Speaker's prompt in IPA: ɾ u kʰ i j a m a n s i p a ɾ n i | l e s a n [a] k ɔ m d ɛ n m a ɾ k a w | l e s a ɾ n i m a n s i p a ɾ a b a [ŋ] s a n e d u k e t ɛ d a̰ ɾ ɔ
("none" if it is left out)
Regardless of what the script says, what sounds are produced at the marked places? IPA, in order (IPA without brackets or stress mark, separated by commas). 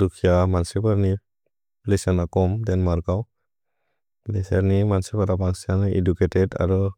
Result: a, ŋ